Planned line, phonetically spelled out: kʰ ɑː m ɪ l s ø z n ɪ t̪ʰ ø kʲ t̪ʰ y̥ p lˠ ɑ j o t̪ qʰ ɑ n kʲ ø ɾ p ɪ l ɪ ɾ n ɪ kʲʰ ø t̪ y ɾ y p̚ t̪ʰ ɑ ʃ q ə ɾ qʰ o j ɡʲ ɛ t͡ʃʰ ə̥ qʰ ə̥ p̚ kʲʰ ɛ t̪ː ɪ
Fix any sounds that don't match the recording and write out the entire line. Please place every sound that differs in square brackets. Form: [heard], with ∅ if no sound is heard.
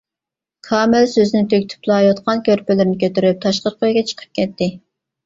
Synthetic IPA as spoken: kʰ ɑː m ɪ l s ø z n ɪ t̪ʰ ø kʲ t̪ʰ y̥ p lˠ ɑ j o t̪ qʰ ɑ n kʲ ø ɾ p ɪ l ɪ ɾ n ɪ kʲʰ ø t̪ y ɾ y p̚ t̪ʰ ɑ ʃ q ə ɾ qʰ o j ɡʲ ɛ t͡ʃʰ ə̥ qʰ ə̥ p̚ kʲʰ ɛ t̪ː ɪ